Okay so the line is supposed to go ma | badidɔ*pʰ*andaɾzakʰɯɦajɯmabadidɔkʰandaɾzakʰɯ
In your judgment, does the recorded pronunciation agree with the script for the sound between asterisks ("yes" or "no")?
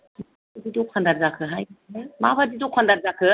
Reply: no